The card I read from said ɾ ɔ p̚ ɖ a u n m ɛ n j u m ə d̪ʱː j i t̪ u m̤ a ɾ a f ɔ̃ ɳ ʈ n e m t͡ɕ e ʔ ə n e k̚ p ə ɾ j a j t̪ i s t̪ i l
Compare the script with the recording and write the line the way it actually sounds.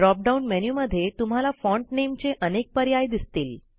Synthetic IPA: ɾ ɔ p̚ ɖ a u n m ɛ n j u m ə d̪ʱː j e t̪ u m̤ a l a f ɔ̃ ɳ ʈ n e m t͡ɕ e ʔ ə n e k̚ p ə ɾ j a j d̪ i s t̪ iː l